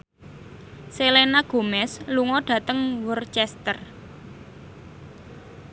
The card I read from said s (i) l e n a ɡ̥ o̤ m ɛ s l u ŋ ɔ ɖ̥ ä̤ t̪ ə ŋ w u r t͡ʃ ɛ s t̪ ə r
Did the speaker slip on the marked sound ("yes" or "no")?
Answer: yes